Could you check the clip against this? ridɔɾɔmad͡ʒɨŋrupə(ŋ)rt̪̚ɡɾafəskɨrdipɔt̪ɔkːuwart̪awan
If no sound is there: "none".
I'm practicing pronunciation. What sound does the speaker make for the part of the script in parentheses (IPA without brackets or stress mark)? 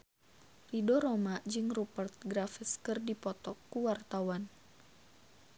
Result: none